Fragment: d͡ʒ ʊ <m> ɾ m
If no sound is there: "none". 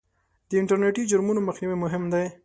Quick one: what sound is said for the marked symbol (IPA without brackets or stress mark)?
none